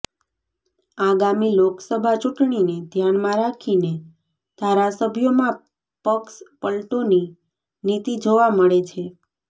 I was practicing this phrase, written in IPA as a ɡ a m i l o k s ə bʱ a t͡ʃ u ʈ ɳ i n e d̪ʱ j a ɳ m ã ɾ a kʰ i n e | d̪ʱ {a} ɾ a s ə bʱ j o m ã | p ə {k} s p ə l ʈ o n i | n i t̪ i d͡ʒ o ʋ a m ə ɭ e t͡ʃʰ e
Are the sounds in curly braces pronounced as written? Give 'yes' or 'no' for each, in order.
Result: yes, yes

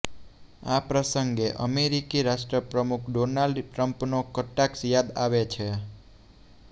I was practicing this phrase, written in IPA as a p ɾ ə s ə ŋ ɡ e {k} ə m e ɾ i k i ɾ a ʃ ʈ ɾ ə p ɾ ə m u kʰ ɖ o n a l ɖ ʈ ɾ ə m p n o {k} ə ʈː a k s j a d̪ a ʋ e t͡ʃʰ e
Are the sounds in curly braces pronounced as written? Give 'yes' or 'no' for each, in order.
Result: no, yes

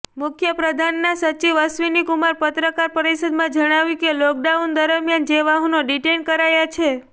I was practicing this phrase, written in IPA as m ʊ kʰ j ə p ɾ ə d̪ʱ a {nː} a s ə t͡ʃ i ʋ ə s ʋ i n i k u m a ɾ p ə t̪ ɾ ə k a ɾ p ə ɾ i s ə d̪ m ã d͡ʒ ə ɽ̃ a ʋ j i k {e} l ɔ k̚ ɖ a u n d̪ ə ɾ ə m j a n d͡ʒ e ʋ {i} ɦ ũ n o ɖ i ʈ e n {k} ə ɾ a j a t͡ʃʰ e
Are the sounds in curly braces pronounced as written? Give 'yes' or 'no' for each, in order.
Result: yes, yes, no, yes

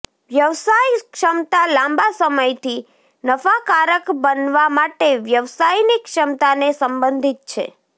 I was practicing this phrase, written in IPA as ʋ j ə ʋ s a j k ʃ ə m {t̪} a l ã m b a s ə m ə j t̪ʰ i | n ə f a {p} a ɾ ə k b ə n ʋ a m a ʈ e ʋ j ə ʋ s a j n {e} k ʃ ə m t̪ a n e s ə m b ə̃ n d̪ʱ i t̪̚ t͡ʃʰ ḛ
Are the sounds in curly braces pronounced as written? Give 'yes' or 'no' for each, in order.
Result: yes, no, no

